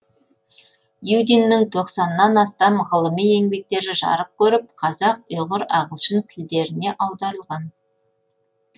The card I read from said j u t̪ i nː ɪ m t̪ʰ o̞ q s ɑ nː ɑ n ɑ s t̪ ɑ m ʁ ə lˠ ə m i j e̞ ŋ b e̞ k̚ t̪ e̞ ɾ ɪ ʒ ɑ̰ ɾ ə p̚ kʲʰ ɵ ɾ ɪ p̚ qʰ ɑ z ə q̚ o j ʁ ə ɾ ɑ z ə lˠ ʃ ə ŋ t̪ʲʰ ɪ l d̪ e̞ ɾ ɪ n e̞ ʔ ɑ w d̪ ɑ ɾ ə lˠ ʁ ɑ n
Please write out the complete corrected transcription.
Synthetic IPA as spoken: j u d̪ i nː ɪ ŋ t̪ʰ o̞ q s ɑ nː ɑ n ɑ s t̪ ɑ m ʁ ə lˠ ə m i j e̞ ŋ b e̞ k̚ t̪ e̞ ɾ ɪ ʒ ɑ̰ ɾ ə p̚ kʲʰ ɵ ɾ ɪ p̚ qʰ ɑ z ɑ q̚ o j ʁ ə ɾ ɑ ʁ ə lˠ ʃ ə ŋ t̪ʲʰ ɪ l d̪ e̞ ɾ ɪ n e̞ ʔ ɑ w d̪ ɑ ɾ ə lˠ ʁ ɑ n